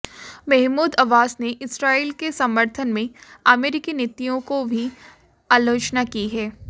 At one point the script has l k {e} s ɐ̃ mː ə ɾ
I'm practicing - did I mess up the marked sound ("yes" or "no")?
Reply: no